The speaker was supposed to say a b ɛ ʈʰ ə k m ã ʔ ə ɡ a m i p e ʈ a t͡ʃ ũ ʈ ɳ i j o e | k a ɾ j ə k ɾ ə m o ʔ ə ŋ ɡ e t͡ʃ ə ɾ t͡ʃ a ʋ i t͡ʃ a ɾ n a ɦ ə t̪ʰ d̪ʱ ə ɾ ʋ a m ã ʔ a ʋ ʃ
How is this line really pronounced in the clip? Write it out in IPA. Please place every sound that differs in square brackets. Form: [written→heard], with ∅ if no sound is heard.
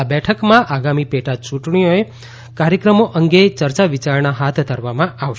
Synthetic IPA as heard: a b ɛ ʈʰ ə k m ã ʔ [ə→a] ɡ a m i p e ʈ a t͡ʃ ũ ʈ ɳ i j o e | k a ɾ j ə k ɾ ə m o ʔ ə ŋ ɡ e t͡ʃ ə ɾ t͡ʃ a ʋ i t͡ʃ a ɾ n a ɦ [ə→a] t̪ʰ d̪ʱ ə ɾ ʋ a m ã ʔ a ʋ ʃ